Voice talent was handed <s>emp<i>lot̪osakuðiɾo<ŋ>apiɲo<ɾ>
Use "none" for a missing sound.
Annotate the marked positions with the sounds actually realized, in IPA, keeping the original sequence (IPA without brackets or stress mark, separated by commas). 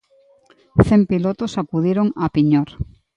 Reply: θ, i, ŋ, ɾ